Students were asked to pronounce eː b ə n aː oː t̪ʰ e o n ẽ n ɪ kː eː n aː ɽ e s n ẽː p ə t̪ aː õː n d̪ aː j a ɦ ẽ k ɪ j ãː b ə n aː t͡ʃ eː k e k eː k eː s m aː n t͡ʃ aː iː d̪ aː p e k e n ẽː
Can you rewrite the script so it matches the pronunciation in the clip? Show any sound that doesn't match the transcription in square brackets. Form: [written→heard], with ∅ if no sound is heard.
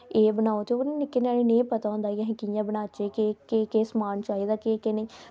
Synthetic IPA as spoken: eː b ə n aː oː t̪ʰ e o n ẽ n ɪ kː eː n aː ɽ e [s→∅] n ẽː p ə t̪ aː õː n d̪ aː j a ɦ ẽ k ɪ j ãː b ə n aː t͡ʃ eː k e k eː k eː s m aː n t͡ʃ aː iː d̪ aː [p→k] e k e n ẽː